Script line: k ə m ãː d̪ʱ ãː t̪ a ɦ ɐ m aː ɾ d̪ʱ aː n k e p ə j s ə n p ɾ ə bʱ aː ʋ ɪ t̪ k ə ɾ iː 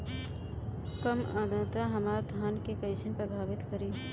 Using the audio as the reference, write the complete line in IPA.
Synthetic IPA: k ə m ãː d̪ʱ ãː t̪ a ɦ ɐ m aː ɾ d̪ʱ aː n k e k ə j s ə n p ɾ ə bʱ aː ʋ ɪ t̪ k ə ɾ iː

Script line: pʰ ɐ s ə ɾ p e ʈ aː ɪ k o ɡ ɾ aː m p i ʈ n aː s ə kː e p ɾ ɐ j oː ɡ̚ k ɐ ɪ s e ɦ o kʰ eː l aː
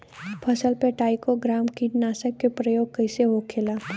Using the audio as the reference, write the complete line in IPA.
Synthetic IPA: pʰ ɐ s ə l p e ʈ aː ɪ k o ɡ ɾ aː m k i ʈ n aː s ə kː e p ɾ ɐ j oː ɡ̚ k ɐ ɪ s e ɦ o kʰ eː l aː

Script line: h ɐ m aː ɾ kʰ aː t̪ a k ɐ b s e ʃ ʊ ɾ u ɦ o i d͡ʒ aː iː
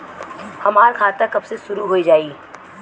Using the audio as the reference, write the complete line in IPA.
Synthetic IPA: h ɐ m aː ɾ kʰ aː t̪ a k ɐ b s e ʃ ʊ ɾ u ɦ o i d͡ʒ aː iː

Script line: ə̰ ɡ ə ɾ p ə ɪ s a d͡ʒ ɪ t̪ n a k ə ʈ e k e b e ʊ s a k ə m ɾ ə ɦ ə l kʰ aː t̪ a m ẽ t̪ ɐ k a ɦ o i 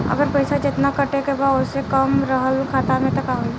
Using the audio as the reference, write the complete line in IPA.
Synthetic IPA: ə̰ ɡ ə ɾ p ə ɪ s a d͡ʒ ɪ t̪ n a k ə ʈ e k e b a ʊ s e k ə m ɾ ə ɦ ə l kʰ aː t̪ a m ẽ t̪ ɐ k a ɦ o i

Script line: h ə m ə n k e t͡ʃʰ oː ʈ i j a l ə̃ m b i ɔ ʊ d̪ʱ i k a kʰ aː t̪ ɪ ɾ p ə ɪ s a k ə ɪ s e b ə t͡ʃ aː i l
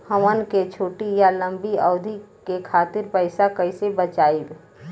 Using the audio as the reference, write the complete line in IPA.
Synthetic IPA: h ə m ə n k e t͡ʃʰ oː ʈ i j a l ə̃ m b i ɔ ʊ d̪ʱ i k e kʰ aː t̪ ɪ ɾ p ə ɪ s a k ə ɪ s e b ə t͡ʃ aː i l

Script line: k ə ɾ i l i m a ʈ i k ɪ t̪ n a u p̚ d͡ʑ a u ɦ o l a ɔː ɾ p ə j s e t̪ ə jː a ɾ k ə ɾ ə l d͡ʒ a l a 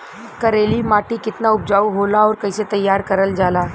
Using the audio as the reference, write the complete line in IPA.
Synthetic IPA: k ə ɾ e l i m a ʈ i k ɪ t̪ n a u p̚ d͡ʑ a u ɦ o l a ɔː ɾ k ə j s e t̪ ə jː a ɾ k ə ɾ ə l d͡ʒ a l a

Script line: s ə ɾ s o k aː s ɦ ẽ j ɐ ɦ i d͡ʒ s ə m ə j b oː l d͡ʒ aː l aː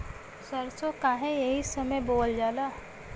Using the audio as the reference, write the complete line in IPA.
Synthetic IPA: s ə ɾ s o k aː ɦ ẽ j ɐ ɦ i s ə m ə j b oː l d͡ʒ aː l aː

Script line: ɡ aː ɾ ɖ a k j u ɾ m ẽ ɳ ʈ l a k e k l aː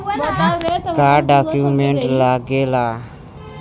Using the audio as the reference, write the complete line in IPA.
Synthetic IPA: k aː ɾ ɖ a k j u m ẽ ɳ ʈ l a ɡ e l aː

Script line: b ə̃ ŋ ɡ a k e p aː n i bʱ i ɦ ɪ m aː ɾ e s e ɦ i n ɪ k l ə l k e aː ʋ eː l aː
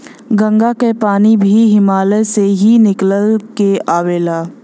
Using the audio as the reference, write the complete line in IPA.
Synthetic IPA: ɡ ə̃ ŋ ɡ a k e p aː n i bʱ i ɦ ɪ m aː l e s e ɦ i n ɪ k l ə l k e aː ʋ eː l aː

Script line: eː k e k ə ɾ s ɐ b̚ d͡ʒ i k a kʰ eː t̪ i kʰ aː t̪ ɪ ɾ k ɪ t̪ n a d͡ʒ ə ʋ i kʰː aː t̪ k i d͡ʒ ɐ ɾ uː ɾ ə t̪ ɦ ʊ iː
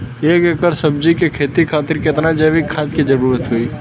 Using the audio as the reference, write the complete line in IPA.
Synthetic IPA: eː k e k ə ɾ s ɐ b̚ d͡ʒ i k e kʰ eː t̪ i kʰ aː t̪ ɪ ɾ k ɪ t̪ n a d͡ʒ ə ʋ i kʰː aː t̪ k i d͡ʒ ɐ ɾ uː ɾ ə t̪ ɦ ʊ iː

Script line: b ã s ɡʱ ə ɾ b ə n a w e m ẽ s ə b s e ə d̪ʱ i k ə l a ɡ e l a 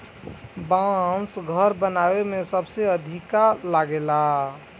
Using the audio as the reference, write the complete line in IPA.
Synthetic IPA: b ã s ɡʱ ə ɾ b ə n a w e m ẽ s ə b s e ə d̪ʱ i k a l a ɡ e l a

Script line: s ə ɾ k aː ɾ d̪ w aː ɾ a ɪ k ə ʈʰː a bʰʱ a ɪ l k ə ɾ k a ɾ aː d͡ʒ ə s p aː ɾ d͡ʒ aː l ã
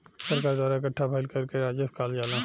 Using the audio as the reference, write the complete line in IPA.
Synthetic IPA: s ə ɾ k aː ɾ d̪ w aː ɾ a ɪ k ə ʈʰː a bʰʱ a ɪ l k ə ɾ k e ɾ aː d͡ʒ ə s k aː l d͡ʒ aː l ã

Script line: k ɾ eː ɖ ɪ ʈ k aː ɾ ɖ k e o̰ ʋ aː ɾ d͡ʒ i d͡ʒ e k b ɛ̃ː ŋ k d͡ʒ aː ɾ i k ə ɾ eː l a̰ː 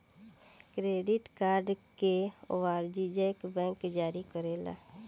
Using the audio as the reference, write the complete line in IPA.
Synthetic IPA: k ɾ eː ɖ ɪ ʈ k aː ɾ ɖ k e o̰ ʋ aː ɾ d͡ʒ i d͡ʒ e k b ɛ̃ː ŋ k d͡ʒ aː ɾ i k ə ɾ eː l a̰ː

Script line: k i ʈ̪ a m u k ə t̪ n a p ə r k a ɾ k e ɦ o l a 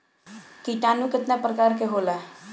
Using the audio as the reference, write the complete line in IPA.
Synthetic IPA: k i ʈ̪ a n u k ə t̪ n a p ə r k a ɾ k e ɦ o l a

